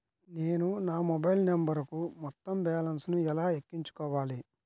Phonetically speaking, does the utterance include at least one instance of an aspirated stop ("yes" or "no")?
no